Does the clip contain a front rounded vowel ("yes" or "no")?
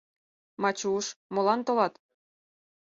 no